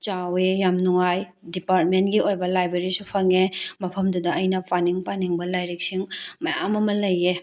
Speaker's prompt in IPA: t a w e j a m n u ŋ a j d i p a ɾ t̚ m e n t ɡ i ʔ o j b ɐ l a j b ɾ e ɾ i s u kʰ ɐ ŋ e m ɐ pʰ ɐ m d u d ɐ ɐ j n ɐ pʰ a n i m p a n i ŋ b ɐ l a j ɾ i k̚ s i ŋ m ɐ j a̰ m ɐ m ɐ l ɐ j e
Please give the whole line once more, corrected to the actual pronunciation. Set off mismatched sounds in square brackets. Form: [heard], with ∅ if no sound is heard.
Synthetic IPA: [t͡ʃ] a w e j a m n u ŋ a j d i p a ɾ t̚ m e n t ɡ i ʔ o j b ɐ l a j b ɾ e ɾ i s u [pʰ] ɐ ŋ e m ɐ pʰ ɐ m d u d ɐ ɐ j n ɐ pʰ a n i [ŋ] p a n i ŋ b ɐ l a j ɾ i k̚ s i ŋ m ɐ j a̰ m ɐ m ɐ l ɐ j e

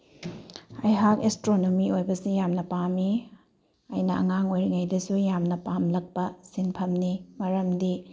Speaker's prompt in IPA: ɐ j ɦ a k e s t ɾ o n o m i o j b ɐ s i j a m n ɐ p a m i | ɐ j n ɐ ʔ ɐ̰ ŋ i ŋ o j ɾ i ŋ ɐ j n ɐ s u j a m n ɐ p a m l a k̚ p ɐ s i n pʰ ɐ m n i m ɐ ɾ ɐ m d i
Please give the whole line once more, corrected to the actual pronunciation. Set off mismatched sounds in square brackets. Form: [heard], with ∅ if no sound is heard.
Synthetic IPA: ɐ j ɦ a k e s t ɾ o n o m i o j b ɐ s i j a m n ɐ p a m i | ɐ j n ɐ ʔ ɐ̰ ŋ [a] ŋ o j ɾ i ŋ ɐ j [d] ɐ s u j a m n ɐ p a m l [ɐ] k̚ p ɐ s i n pʰ ɐ m n i m ɐ ɾ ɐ m d i

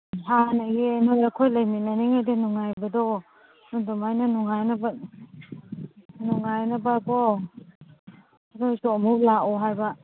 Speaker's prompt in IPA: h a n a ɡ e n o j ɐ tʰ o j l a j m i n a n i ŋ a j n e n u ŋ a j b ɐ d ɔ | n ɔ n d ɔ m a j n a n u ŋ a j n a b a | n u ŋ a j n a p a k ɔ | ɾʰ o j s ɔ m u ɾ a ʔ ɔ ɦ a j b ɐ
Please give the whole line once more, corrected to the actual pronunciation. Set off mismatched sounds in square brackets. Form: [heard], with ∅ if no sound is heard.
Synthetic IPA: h a n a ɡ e n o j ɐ [kʰ] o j l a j m i n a n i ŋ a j [d] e n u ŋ a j b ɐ d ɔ | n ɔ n d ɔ m a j n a n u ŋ a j n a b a | n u ŋ a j n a [b] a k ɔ | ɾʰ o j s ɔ m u [l] a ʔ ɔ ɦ a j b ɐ

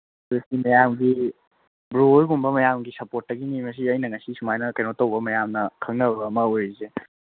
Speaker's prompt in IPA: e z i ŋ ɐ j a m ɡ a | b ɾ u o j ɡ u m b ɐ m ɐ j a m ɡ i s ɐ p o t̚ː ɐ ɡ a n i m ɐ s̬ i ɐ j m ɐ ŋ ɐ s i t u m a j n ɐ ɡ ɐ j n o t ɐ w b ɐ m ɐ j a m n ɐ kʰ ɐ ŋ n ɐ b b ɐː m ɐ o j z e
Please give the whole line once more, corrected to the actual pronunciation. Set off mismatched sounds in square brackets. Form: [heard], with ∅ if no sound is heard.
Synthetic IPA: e [s] i [m] ɐ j a m ɡ [i] | b ɾ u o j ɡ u m b ɐ m ɐ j a m ɡ i s ɐ p o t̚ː ɐ ɡ [i] n i m ɐ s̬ i ɐ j [n] ɐ ŋ ɐ s i [s] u m a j n ɐ [k] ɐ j n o t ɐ w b ɐ m ɐ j a m n ɐ kʰ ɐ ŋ n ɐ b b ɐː m ɐ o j z e

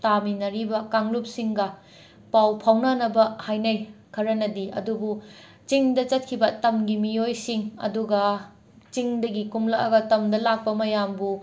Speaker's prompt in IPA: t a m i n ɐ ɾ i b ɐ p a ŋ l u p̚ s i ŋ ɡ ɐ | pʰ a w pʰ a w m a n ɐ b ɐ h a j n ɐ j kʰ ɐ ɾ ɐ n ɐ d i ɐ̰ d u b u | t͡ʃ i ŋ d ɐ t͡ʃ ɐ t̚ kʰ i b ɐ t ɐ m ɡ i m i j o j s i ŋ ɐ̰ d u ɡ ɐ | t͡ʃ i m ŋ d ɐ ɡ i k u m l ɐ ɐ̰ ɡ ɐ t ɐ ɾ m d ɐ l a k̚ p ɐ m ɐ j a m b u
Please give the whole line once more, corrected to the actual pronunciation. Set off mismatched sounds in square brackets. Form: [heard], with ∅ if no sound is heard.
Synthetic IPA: t a m i n ɐ ɾ i b ɐ [k] a ŋ l u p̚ s i ŋ ɡ ɐ | [p] a w pʰ a w [n] a n ɐ b ɐ h a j n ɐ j kʰ ɐ ɾ ɐ n ɐ d i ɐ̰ d u b u | t͡ʃ i ŋ d ɐ t͡ʃ ɐ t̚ kʰ i b ɐ t ɐ m ɡ i m i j o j s i ŋ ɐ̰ d u ɡ ɐ | t͡ʃ i [∅] ŋ d ɐ ɡ i k u m l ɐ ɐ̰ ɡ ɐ t ɐ [∅] m d ɐ l a k̚ p ɐ m ɐ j a m b u

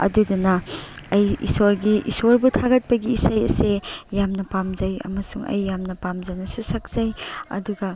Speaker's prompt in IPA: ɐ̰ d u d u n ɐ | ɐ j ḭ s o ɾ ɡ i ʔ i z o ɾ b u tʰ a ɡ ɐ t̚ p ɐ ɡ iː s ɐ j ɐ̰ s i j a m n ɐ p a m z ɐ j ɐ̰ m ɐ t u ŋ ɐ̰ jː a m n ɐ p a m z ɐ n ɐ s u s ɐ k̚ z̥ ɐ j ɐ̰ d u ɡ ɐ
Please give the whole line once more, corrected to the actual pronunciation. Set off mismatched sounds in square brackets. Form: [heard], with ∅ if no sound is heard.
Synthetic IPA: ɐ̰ d u d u n ɐ | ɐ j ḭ s o ɾ ɡ i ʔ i [s] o ɾ b u tʰ a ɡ ɐ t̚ p ɐ ɡ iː s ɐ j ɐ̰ s [e] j a m n ɐ p a m z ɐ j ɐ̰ m ɐ [s] u ŋ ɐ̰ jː a m n ɐ p a m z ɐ n ɐ s u s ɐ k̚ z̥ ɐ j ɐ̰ d u ɡ ɐ

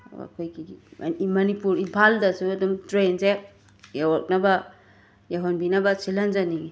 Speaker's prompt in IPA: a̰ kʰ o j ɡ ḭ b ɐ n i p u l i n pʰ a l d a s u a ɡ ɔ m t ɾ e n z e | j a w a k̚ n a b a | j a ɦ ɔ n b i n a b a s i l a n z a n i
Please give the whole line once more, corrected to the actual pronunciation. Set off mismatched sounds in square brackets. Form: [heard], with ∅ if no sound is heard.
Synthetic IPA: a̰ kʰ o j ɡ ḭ [m] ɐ n i p u [ɾ] i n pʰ a l d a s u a [d] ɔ m t ɾ e n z e | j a w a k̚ n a b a | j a ɦ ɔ n b i n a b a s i l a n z a n i

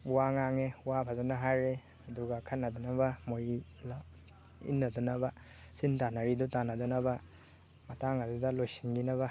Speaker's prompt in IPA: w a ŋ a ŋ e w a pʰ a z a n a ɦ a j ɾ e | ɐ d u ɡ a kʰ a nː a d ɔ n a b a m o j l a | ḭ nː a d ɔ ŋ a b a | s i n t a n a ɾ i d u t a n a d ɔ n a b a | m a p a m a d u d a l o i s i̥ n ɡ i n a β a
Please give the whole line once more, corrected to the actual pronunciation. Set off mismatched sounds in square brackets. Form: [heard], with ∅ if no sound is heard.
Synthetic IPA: w a ŋ a ŋ e w a pʰ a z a n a ɦ a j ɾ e | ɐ d u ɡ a kʰ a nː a d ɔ n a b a m o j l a | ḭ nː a d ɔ [n] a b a | s i n t a n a ɾ i d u t a n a d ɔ n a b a | m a [t] a [ŋ] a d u d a l o [j] s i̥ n ɡ i n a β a

